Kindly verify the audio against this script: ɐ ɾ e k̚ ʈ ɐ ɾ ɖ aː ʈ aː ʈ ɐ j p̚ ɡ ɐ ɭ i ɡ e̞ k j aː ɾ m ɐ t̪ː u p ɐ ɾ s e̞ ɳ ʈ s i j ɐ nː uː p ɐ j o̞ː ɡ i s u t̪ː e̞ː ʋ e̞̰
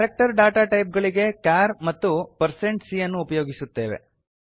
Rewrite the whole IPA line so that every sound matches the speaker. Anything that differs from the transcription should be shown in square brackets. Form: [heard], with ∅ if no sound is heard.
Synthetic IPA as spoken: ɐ ɾ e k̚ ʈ ɐ ɾ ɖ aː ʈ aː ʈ ɐ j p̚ ɡ ɐ ɭ i ɡ e̞ k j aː ɾ m ɐ t̪ː u p ɐ ɾ s e̞ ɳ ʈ s i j ɐ nː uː p ɐ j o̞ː ɡ i s u t̪ː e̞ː ʋ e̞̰